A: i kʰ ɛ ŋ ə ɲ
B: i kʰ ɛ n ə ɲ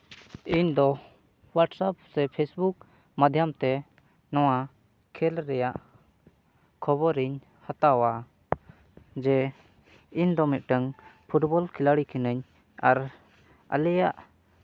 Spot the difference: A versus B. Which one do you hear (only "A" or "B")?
B